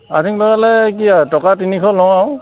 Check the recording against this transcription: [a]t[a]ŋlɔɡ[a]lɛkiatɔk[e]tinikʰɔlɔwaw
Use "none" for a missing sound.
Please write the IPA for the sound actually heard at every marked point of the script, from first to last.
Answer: a, i, a, a

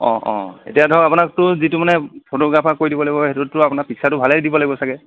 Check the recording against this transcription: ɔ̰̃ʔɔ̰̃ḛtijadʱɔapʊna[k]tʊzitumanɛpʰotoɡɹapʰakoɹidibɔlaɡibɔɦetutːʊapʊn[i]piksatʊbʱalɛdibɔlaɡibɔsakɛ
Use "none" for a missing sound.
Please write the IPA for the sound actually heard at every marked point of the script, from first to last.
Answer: k, a

